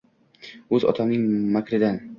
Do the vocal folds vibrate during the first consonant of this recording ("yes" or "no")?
yes